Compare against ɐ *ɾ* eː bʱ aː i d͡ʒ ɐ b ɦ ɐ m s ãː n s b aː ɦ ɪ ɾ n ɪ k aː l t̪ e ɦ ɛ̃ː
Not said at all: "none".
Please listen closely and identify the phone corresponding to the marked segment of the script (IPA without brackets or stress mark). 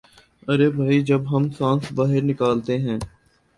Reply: ɾ